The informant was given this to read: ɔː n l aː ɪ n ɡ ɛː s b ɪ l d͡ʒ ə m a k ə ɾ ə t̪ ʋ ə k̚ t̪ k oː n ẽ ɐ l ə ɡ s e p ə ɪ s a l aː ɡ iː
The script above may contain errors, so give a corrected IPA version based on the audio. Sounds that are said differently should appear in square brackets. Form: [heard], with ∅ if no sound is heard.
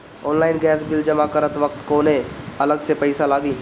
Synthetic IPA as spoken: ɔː n l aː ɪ n ɡ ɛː s b ɪ l d͡ʒ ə m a k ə ɾ ə t̪ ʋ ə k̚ t̪ k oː n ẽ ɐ l ə ɡ s e p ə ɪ s a l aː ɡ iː